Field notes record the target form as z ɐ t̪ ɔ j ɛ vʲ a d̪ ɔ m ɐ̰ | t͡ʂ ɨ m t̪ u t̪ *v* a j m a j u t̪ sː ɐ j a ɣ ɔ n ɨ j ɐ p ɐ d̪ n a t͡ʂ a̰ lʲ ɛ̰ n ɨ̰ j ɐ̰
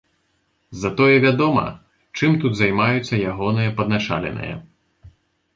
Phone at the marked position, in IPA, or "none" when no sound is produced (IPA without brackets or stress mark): z